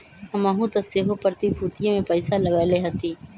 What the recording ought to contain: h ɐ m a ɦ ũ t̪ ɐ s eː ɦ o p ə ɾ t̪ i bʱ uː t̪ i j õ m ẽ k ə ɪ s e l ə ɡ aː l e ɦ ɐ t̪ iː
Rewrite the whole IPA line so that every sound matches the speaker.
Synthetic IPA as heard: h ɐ m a ɦ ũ t̪ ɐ s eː ɦ o p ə ɾ t̪ i bʱ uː t̪ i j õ m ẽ p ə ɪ s a l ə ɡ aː l e ɦ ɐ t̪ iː